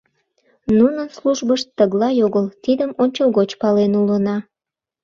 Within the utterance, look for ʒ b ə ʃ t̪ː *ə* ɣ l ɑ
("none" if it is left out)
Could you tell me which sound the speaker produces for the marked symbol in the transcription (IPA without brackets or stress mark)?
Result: ə